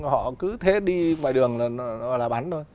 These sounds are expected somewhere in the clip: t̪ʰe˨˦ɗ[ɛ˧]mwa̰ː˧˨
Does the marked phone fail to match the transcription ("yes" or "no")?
yes